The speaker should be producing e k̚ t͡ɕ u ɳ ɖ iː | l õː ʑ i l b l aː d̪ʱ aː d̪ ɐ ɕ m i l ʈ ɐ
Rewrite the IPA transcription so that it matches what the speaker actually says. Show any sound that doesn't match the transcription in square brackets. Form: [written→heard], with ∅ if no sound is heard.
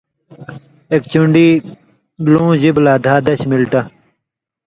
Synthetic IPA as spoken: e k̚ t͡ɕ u ɳ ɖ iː | l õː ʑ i [l→∅] b l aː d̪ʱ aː d̪ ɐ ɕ m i l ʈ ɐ